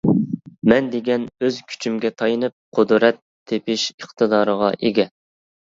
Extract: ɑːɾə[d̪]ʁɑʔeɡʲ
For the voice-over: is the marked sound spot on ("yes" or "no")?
no